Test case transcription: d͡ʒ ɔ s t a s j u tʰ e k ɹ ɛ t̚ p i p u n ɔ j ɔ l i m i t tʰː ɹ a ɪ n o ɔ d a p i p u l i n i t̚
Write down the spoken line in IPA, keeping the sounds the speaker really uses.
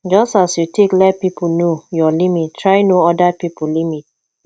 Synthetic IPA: d͡ʒ ɔ s t a s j u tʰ e k l ɛ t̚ p i p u n o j ɔ l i m i t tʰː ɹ a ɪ n o ɔ d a p i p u l i m i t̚